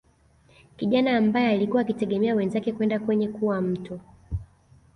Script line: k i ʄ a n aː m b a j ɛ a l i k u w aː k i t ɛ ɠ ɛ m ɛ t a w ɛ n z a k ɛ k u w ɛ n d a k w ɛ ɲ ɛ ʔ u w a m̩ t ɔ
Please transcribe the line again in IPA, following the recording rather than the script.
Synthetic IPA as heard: k i ʄ a n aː m b a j ɛ a l i k u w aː k i t ɛ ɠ ɛ m ɛ a w ɛ n z a k ɛ k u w ɛ n d a k w ɛ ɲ ɛ k u w a m̩ t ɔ